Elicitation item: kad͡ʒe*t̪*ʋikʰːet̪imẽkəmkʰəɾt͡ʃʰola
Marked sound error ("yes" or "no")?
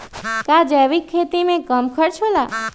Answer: yes